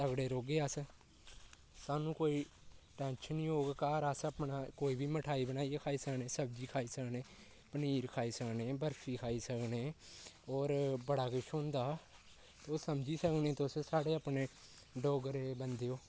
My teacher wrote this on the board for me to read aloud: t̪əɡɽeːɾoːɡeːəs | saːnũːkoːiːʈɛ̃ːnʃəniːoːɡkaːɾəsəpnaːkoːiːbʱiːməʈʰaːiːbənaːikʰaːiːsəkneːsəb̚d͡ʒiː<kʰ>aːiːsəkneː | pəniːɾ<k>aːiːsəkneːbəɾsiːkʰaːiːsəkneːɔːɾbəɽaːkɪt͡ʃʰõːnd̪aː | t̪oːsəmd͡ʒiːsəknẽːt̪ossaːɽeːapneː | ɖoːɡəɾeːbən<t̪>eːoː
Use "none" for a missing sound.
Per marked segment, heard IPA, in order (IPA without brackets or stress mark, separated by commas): kʰ, kʰ, d̪